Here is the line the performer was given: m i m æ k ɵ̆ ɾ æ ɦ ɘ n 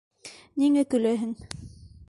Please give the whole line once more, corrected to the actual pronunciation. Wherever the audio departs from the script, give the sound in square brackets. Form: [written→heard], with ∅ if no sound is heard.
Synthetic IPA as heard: [m→n] i [m→ŋ] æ k ɵ̆ [ɾ→l] æ ɦ ɘ [n→ŋ]